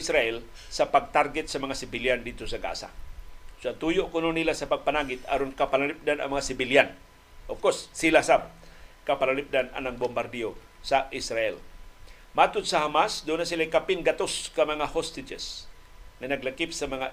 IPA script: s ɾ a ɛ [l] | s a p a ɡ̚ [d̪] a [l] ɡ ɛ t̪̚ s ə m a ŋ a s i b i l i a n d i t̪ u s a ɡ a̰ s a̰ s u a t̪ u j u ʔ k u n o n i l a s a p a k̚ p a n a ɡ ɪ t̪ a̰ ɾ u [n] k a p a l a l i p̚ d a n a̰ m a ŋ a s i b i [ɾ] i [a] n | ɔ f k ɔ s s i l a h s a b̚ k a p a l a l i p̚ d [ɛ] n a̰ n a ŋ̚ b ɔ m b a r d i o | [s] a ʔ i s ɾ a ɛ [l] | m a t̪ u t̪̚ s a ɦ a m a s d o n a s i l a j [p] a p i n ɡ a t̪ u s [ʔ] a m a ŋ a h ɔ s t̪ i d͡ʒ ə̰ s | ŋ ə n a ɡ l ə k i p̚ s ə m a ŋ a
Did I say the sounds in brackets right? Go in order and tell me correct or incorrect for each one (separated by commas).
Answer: correct, incorrect, incorrect, correct, incorrect, correct, incorrect, correct, correct, incorrect, incorrect